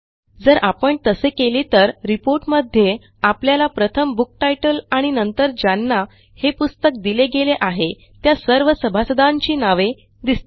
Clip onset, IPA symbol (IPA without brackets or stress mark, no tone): d͡z